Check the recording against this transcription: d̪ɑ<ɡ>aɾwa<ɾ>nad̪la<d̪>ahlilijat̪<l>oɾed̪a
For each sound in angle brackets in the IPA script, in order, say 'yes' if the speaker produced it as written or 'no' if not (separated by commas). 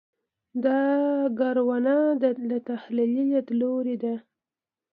yes, no, no, yes